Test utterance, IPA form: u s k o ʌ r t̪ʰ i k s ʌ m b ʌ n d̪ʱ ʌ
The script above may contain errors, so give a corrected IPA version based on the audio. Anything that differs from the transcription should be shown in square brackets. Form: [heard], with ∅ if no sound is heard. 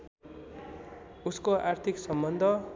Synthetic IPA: u s k o [a] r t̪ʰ i k s ʌ m b ʌ n d̪ʱ ʌ

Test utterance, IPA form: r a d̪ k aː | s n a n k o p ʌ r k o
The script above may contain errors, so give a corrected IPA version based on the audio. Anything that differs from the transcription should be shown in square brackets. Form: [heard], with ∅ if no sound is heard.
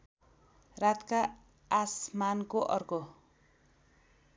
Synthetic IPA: r a [t̪] k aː | s [m] a n k o [ʔ] ʌ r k o

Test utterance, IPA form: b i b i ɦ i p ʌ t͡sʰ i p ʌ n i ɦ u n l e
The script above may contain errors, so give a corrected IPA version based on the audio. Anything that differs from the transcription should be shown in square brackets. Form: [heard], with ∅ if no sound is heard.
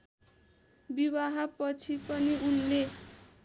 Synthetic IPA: b i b [a] ɦ [a] p ʌ t͡sʰ i p ʌ n i [∅] u n l e

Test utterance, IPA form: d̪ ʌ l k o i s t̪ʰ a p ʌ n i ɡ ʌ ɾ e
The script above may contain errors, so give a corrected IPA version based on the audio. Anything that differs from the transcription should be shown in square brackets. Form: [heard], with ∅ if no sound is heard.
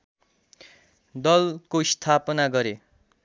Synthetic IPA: d̪ ʌ l k o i s t̪ʰ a p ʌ n [a] ɡ ʌ ɾ e

